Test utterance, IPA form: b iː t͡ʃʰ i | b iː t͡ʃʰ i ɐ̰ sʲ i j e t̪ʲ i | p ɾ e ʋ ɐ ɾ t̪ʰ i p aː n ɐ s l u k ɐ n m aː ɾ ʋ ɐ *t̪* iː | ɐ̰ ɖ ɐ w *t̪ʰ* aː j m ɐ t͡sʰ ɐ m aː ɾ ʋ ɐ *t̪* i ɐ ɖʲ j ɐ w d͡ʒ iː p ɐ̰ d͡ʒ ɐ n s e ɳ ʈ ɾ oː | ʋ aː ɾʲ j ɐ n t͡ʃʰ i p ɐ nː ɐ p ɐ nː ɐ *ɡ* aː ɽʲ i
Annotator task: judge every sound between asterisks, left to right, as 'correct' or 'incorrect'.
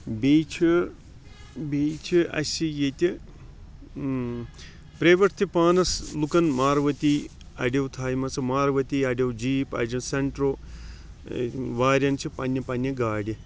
correct, correct, correct, correct

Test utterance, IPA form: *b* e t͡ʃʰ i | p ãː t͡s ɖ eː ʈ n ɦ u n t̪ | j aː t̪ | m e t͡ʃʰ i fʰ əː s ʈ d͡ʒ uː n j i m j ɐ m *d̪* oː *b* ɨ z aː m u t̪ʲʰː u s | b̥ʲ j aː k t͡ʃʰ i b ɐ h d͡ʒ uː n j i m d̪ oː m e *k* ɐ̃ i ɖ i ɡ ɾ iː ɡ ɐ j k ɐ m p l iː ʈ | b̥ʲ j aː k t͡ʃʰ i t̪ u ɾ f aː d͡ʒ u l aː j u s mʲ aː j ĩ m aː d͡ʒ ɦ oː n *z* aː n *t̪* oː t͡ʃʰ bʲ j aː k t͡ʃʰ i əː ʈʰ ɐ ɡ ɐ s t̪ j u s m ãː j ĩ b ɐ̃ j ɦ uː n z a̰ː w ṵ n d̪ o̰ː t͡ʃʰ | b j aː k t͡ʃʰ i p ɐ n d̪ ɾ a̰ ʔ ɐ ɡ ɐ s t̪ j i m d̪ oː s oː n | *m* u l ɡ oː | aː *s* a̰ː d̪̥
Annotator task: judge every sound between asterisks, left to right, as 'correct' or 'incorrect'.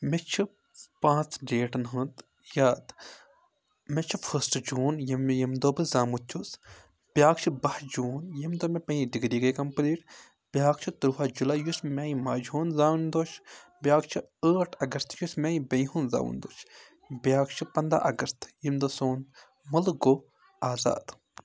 incorrect, correct, correct, incorrect, correct, incorrect, correct, incorrect

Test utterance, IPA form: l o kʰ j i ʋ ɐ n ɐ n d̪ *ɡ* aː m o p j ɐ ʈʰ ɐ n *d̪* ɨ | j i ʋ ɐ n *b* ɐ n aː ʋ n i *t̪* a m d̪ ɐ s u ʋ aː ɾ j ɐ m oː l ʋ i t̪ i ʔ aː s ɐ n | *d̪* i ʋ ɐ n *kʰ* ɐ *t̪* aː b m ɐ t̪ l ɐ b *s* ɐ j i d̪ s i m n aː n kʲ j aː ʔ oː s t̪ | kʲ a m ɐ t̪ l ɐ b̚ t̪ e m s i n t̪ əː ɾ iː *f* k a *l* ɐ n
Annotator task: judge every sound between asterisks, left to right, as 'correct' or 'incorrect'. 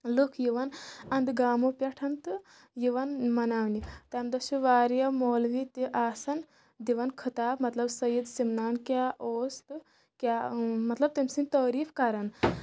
correct, incorrect, incorrect, correct, correct, correct, correct, correct, correct, incorrect

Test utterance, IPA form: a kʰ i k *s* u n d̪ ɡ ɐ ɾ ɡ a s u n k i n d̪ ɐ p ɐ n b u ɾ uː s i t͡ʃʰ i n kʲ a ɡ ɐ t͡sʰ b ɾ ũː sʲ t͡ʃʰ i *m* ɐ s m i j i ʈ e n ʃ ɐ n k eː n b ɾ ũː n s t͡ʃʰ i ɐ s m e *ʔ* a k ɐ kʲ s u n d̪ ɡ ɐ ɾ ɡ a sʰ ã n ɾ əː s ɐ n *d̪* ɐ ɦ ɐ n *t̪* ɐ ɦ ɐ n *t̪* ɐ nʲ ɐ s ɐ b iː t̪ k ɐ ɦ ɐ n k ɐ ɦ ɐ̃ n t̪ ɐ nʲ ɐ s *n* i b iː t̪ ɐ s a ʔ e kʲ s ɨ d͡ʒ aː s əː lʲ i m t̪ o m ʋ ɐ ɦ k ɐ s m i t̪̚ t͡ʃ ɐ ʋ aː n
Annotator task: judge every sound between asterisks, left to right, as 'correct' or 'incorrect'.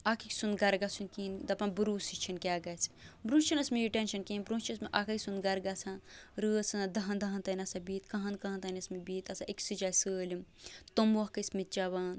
correct, incorrect, correct, correct, incorrect, correct, incorrect

